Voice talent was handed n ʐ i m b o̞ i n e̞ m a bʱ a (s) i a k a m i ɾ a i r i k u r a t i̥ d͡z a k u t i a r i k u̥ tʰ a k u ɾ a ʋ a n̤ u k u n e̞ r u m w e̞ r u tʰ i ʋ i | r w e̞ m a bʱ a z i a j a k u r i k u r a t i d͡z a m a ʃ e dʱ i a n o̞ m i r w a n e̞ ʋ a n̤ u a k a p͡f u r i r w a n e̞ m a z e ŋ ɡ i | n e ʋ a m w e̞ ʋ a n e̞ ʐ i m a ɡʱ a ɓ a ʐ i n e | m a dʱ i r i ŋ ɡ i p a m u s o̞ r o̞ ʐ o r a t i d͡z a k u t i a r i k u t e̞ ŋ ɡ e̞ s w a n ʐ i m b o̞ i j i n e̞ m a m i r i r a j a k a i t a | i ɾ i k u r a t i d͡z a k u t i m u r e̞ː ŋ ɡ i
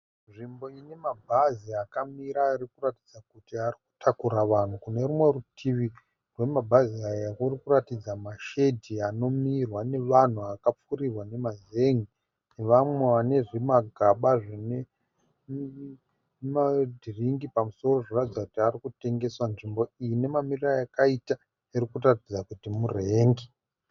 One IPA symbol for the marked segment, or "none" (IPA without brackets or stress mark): z